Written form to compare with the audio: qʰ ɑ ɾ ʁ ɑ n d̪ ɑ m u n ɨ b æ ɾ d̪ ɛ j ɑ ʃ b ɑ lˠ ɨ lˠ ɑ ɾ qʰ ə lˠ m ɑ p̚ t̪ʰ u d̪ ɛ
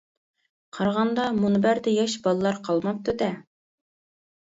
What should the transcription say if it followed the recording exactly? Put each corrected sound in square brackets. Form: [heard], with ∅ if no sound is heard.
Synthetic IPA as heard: qʰ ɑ ɾ ʁ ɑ n d̪ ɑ m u n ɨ b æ ɾ d̪ ɛ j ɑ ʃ b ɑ lˠ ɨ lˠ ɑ ɾ qʰ [ɑ] lˠ m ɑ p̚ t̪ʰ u d̪ ɛ